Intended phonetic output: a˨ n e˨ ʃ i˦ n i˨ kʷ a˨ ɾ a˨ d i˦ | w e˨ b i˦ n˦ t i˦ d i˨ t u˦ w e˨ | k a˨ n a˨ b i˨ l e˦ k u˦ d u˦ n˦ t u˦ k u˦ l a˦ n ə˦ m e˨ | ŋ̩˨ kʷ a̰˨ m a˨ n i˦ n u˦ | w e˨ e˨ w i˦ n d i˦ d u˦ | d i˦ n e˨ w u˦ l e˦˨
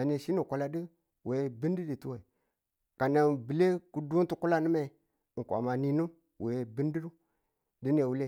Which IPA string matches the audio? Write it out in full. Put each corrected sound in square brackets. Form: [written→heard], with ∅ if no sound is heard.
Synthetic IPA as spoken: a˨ n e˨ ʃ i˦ n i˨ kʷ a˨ [ɾ→l] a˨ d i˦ | w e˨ b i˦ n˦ [t→d] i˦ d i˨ t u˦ w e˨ | k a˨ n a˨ b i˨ l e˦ k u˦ d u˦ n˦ t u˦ k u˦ l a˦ n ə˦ m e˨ | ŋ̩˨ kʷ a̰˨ m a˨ n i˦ n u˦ | w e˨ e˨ [w→b] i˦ n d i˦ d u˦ | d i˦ n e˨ w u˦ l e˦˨